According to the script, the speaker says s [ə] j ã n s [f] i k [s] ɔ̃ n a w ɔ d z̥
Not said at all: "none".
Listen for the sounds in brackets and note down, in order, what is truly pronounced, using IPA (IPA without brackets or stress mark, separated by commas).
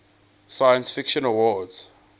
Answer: a, f, ʃ